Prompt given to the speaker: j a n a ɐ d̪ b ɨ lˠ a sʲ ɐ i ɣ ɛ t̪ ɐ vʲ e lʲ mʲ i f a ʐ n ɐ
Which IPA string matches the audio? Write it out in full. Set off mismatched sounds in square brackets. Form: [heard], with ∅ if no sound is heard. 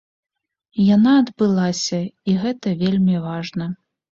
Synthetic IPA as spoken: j a n a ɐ d̪ b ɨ lˠ a sʲ ɐ i ɣ ɛ t̪ ɐ vʲ e lʲ mʲ i [v] a ʐ n ɐ